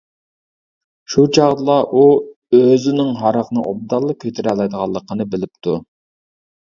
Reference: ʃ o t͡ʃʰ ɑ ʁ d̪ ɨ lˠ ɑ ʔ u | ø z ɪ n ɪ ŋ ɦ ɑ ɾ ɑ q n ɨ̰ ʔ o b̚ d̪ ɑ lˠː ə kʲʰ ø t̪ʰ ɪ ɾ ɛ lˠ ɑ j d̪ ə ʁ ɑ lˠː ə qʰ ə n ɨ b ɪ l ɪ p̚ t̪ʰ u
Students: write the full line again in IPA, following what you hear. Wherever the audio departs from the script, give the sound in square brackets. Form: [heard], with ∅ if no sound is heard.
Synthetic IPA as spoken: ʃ [u] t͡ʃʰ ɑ ʁ d̪ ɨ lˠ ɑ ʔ u | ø z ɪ n ɪ ŋ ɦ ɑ ɾ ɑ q n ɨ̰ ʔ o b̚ d̪ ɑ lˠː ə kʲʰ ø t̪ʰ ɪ ɾ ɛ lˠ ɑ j d̪ ə ʁ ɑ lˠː ə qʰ ə n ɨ b ɪ l ɪ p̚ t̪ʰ u